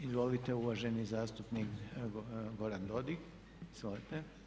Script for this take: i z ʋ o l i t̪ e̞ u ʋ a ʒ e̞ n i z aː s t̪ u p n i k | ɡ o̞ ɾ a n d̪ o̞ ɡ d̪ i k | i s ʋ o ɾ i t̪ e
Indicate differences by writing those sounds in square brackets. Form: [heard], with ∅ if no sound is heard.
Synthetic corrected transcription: i z ʋ o l i t̪ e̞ u ʋ a ʒ e̞ n i z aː s t̪ u p n i k | ɡ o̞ ɾ a n d̪ o̞ [∅] d̪ i k | i [z] ʋ o [l] i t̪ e